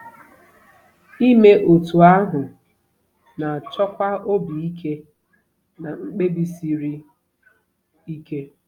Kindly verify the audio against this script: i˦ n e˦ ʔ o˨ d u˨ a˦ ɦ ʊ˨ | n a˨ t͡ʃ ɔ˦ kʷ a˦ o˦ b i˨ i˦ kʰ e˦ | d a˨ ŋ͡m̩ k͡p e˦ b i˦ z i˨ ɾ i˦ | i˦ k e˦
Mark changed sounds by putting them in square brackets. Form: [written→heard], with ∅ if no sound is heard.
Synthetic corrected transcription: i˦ [n→m] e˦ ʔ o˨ [d→t] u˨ a˦ ɦ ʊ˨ | n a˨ t͡ʃ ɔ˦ kʷ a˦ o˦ b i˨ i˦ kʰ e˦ | [d→n] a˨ ŋ͡m̩ k͡p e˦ b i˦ [z→s] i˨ ɾ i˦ | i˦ k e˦